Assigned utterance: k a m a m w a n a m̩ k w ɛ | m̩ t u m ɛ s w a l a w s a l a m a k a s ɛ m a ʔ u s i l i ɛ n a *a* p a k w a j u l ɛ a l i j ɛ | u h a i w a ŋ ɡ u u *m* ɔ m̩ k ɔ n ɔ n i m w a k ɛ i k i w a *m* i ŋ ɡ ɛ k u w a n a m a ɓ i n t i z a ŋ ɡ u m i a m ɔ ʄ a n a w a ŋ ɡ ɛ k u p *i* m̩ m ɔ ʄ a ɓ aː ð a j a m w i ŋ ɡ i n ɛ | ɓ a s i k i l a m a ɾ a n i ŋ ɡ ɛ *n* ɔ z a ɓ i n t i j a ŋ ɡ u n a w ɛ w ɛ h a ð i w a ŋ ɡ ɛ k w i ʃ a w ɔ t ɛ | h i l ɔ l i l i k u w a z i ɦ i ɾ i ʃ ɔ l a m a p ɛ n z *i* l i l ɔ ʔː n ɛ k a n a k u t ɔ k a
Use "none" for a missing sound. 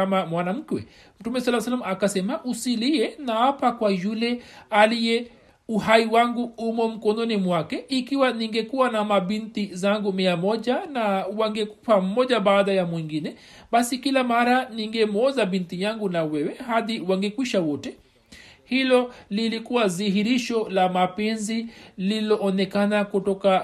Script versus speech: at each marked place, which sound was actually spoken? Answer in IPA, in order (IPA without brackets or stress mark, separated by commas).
a, m, n, a, m, i